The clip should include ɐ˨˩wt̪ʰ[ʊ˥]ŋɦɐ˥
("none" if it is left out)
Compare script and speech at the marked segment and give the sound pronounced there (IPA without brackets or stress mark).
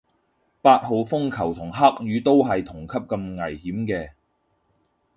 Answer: ʊ˨˩